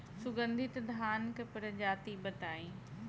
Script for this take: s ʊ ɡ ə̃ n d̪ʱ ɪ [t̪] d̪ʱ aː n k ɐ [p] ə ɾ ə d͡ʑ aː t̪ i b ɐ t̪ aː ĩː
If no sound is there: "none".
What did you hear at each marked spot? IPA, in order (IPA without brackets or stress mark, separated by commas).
t̪, p